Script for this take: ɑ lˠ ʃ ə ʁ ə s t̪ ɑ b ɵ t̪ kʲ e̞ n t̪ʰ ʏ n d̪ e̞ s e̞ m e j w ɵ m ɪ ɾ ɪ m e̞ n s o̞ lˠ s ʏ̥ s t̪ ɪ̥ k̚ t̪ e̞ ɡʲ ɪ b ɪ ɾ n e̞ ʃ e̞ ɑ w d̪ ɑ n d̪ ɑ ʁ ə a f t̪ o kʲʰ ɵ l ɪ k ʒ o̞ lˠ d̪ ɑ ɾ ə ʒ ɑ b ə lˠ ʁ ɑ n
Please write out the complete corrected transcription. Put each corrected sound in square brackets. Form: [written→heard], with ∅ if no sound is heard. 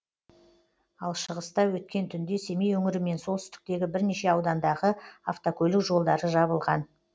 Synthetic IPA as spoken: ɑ lˠ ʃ ə ʁ ə s t̪ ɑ [b→w] ɵ t̪ kʲ e̞ n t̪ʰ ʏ n d̪ e̞ s e̞ m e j w ɵ [m→ŋ] ɪ ɾ ɪ m e̞ n s o̞ lˠ s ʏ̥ s t̪ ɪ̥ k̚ t̪ e̞ ɡʲ ɪ b ɪ ɾ n e̞ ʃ e̞ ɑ w d̪ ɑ n d̪ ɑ ʁ ə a f t̪ o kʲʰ ɵ l ɪ k ʒ o̞ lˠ d̪ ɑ ɾ ə ʒ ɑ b ə lˠ ʁ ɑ n